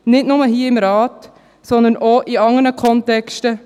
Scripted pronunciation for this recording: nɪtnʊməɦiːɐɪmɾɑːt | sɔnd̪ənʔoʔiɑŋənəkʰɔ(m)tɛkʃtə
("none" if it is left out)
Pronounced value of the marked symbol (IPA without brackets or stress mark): n